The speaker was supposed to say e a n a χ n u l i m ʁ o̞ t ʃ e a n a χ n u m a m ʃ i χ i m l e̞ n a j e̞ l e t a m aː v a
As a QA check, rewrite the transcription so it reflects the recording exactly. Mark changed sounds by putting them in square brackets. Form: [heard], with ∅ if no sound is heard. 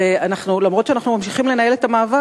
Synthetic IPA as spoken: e a n a χ n u l [a] m ʁ o̞ t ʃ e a n a χ n u m a m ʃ i χ i m l e̞ n a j e̞ l e t a m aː v a